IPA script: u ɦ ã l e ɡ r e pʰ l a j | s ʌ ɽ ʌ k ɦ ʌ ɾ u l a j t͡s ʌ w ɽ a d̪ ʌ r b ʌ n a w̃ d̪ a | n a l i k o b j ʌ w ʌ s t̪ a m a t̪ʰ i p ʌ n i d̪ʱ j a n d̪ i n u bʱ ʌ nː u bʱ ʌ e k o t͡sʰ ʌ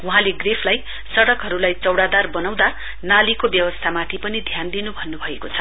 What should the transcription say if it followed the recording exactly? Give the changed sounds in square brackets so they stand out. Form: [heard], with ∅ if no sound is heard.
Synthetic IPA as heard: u ɦ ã l e ɡ r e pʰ l a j | s ʌ ɽ ʌ k ɦ ʌ ɾ u l a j t͡s ʌ w ɽ a d̪ [a] r b ʌ n a w̃ d̪ a | n a l i k o b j ʌ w ʌ s [t̪ʰ] a m a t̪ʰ i p ʌ n i d̪ʱ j a n d̪ i n u bʱ ʌ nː u bʱ ʌ e k o t͡sʰ ʌ